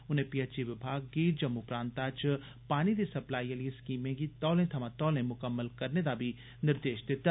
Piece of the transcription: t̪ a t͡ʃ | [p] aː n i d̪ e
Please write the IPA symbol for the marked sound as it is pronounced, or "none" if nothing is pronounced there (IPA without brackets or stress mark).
p